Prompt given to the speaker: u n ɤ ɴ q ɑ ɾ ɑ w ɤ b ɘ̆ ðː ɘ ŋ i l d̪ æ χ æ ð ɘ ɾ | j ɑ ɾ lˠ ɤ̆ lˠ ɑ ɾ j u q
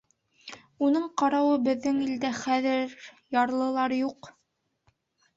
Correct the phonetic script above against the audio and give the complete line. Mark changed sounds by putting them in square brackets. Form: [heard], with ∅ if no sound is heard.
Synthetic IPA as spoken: u n ɤ ɴ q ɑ ɾ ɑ w ɤ b ɘ̆ ðː ɘ ŋ i l d̪ æ χ æ ð ɘ ɾ | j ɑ ɾ lˠ ɤ̆ lˠ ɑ ɾ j u q